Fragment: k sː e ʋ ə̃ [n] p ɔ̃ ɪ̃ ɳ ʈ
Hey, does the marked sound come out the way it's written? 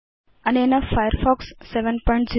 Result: yes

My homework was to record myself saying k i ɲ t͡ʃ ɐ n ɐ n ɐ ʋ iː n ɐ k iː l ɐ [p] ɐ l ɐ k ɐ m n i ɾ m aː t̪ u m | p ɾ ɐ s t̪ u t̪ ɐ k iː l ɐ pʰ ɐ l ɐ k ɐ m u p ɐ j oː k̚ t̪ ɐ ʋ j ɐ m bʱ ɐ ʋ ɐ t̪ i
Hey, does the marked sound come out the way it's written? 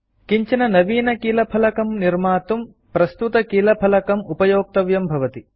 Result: no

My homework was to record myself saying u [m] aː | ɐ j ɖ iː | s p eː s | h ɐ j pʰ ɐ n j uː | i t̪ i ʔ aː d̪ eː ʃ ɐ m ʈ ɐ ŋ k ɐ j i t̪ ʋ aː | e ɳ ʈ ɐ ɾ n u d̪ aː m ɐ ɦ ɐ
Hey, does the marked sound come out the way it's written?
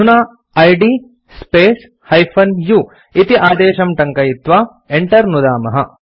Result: no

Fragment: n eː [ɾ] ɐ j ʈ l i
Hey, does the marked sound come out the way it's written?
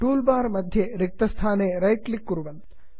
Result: yes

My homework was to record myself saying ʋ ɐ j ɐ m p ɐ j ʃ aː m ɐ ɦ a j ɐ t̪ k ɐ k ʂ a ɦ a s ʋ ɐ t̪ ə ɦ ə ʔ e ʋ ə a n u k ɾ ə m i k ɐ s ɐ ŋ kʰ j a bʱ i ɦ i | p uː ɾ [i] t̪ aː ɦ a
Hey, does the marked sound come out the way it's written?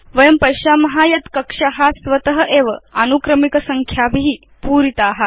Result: yes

